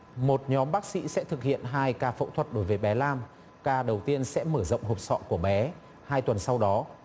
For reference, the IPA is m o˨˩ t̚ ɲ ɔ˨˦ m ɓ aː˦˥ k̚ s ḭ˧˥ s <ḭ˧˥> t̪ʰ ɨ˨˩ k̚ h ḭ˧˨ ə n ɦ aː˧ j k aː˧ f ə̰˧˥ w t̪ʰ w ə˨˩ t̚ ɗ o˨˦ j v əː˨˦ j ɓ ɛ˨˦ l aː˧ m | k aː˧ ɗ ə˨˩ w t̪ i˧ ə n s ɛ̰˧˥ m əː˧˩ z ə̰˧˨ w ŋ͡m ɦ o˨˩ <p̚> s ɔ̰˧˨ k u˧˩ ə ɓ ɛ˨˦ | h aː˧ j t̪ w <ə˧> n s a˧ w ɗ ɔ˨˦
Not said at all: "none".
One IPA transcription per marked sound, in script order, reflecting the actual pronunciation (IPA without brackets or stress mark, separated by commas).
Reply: ɛ̰˧˥, p̚, ə˨˩